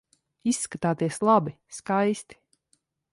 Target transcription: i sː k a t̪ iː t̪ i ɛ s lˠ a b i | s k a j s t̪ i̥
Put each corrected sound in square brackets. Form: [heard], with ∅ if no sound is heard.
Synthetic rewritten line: i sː k a t̪ [aː] t̪ i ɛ s lˠ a b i | s k a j s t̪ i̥